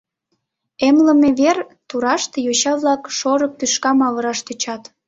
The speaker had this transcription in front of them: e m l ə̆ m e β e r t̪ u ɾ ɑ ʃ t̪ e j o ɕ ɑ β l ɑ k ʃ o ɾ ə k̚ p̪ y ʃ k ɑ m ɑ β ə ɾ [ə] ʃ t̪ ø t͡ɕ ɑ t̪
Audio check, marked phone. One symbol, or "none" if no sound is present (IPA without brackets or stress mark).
ɑ